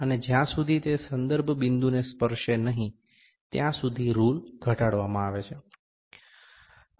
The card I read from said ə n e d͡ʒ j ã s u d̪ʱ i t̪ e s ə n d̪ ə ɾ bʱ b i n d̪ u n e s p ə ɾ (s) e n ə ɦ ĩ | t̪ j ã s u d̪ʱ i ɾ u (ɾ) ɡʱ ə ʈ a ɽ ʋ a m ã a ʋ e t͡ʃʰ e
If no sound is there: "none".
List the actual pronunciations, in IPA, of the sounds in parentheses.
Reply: ʃ, l

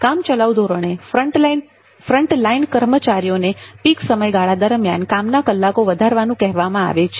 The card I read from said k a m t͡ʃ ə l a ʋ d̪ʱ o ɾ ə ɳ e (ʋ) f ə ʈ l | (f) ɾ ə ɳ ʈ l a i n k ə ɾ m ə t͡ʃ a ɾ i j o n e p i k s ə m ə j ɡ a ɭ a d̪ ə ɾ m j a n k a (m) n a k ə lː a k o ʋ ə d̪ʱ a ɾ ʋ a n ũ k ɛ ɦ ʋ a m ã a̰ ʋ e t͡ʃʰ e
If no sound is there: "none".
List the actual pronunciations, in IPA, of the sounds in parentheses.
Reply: none, f, m

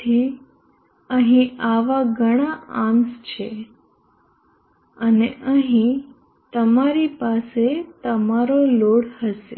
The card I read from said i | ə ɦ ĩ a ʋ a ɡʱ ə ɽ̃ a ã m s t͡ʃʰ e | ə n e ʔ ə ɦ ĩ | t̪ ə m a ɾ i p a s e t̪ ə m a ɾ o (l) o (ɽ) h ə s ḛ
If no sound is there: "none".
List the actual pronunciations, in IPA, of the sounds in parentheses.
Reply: l, ɽ

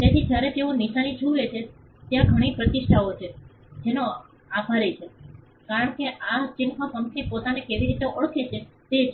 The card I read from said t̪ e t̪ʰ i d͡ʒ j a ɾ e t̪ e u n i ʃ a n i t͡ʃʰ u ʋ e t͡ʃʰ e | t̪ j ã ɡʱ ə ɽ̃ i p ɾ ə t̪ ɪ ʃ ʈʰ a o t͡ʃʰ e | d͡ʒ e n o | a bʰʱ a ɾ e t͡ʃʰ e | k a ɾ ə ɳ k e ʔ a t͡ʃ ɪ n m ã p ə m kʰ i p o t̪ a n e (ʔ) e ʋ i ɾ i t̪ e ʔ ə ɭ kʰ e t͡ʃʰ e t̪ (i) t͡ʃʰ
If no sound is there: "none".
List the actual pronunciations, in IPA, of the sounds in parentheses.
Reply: k, e

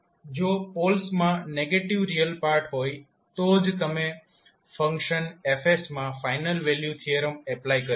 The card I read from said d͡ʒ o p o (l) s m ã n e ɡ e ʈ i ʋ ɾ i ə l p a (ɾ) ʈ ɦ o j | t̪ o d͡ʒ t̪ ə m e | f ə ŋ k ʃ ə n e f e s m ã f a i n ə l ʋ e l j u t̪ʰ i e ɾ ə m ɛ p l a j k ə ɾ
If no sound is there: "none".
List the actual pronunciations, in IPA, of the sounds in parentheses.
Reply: l, ɾ

